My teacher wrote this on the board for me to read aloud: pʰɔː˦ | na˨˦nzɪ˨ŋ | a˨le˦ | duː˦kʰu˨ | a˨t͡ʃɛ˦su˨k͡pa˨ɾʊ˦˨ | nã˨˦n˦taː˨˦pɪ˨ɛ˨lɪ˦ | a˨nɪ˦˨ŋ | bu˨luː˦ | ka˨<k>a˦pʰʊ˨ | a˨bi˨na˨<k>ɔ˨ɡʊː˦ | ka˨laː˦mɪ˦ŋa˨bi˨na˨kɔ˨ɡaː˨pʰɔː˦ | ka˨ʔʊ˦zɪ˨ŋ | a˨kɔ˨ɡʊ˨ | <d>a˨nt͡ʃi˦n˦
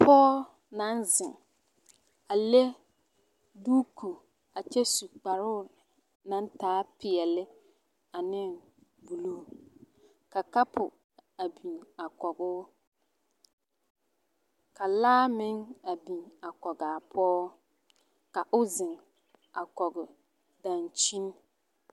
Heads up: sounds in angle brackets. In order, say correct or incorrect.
correct, correct, correct

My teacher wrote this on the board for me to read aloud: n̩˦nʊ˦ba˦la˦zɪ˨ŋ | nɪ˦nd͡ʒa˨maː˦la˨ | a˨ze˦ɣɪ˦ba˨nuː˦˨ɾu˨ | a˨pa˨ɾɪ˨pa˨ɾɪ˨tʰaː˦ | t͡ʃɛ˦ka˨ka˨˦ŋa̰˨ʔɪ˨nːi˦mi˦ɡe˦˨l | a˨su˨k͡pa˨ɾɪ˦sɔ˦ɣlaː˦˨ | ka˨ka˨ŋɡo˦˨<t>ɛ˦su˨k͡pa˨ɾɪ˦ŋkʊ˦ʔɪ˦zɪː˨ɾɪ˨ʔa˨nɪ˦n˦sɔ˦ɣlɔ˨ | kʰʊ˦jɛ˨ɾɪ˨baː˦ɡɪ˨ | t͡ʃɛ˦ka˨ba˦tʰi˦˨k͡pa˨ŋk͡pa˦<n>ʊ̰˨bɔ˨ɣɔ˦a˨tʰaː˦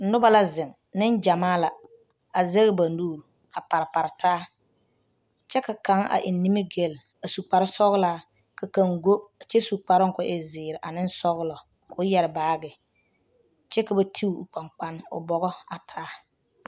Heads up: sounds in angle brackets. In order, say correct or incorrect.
incorrect: t͡ʃ, correct

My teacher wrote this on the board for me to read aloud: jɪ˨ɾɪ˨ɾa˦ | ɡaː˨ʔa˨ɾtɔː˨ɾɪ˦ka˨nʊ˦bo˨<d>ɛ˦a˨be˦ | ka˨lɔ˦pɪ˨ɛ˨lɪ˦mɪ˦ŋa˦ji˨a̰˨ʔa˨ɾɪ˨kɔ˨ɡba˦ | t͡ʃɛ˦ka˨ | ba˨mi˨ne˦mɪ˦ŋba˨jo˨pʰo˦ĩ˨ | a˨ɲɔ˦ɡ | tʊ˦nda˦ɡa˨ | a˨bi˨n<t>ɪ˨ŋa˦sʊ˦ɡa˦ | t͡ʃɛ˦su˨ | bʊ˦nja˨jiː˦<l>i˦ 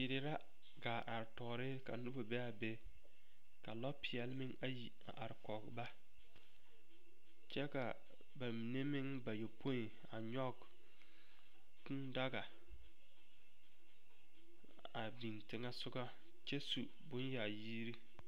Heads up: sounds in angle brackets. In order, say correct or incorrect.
incorrect: b, correct, incorrect: ɾ

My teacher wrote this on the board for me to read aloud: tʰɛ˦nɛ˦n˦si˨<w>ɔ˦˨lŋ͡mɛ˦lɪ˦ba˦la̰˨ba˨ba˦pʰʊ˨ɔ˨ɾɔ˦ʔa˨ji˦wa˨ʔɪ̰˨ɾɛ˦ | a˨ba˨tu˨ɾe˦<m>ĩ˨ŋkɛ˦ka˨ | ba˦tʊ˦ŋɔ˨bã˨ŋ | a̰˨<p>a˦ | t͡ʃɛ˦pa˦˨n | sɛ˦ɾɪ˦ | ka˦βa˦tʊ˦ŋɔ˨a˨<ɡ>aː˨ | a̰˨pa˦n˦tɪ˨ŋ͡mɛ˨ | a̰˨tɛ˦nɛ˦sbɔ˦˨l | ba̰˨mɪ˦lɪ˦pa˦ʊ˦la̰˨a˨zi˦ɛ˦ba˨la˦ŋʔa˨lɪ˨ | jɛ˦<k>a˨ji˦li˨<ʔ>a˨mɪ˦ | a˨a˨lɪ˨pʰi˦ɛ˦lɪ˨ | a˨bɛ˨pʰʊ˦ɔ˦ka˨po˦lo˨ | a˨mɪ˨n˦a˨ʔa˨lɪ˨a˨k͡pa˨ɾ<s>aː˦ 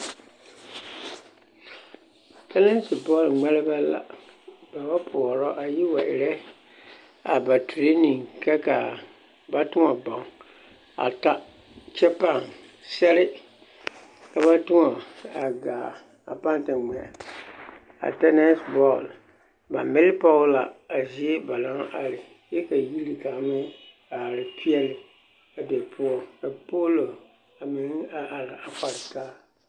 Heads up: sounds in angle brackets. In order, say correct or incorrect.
incorrect: b, incorrect: n, incorrect: t, correct, correct, incorrect: k, incorrect: t

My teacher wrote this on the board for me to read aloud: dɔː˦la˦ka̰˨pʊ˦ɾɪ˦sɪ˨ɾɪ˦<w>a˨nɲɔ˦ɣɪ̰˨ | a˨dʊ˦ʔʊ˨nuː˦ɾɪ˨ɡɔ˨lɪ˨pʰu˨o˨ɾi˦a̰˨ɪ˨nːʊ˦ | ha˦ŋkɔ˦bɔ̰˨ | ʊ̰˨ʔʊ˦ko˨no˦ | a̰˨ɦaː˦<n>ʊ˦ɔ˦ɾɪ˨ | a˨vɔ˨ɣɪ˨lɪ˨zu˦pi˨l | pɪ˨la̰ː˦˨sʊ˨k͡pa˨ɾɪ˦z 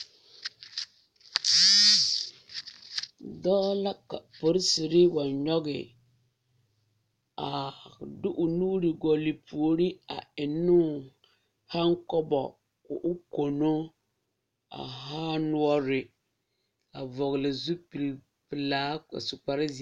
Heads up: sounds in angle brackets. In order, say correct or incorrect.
correct, correct

